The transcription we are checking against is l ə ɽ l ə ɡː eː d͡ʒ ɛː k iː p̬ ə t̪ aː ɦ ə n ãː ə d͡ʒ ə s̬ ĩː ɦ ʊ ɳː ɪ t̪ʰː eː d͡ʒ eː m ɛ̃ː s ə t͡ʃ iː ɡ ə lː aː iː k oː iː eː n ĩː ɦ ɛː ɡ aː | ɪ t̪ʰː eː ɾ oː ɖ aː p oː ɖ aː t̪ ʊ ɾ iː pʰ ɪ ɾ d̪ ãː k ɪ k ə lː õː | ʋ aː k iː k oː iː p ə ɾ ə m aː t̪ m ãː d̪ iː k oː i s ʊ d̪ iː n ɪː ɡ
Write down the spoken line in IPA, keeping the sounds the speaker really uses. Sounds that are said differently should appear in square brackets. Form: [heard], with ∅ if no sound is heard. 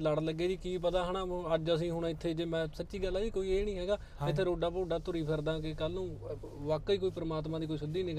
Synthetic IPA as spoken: l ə ɽ l ə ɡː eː d͡ʒ [iː] k iː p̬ ə t̪ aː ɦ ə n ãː ə d͡ʒ ə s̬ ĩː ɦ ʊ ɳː ɪ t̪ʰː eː d͡ʒ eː m ɛ̃ː s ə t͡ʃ iː ɡ ə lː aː iː k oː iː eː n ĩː ɦ ɛː ɡ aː | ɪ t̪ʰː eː ɾ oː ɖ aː p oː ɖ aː t̪ ʊ ɾ iː pʰ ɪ ɾ d̪ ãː k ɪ k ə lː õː | ʋ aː k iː k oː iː p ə ɾ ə m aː t̪ m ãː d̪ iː k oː i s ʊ d̪ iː n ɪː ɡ